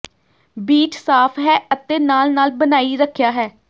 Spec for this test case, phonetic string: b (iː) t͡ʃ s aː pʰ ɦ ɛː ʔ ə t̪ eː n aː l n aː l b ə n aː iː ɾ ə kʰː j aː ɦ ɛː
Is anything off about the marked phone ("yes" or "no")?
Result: no